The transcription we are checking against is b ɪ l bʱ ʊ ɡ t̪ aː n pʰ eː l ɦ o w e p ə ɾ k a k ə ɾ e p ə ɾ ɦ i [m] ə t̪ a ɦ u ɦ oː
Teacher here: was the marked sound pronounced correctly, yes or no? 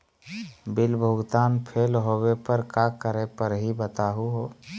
no